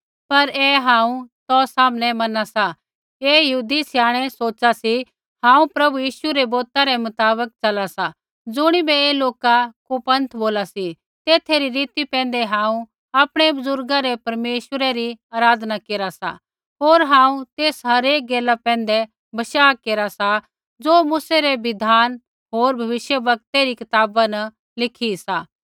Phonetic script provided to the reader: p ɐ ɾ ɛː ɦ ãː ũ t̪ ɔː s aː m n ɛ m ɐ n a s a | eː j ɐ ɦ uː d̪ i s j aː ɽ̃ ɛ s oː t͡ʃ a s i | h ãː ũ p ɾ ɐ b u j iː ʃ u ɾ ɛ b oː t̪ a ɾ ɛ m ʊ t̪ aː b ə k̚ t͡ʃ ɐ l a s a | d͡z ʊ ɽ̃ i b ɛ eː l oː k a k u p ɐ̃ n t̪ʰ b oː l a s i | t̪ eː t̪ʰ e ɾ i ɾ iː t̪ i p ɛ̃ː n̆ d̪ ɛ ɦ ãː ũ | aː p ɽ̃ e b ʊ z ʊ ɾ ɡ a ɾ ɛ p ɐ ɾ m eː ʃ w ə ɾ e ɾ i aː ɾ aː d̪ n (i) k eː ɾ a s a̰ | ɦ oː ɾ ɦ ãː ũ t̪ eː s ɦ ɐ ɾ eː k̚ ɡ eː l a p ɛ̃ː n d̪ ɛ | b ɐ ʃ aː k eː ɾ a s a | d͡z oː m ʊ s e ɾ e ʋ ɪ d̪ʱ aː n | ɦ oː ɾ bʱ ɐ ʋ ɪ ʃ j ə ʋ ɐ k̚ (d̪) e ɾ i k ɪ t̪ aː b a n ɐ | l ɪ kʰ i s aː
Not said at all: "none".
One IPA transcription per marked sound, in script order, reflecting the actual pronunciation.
a, t̪

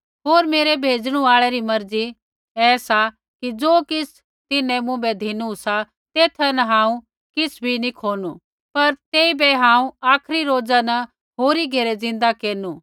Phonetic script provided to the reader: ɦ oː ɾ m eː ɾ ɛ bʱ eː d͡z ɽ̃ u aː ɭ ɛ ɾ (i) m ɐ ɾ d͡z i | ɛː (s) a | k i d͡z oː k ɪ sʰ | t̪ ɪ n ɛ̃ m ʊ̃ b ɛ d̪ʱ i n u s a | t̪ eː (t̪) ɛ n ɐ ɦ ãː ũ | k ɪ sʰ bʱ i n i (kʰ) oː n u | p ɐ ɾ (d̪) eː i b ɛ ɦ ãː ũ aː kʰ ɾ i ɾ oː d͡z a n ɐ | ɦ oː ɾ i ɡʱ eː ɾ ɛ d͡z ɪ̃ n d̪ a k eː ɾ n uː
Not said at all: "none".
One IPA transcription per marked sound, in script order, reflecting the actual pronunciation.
i, s, t̪ʰ, kʰ, t̪

